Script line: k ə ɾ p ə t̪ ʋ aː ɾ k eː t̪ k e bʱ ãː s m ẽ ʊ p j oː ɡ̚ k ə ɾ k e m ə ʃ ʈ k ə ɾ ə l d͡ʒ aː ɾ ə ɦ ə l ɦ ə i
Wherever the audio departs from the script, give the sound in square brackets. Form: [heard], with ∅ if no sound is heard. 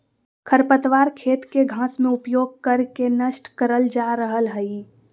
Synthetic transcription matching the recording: [kʰ] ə ɾ p ə t̪ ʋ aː ɾ [kʰ] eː t̪ k e [ɡʱ] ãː s m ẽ ʊ p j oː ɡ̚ k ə ɾ k e [n] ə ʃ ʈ k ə ɾ ə l d͡ʒ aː ɾ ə ɦ ə l ɦ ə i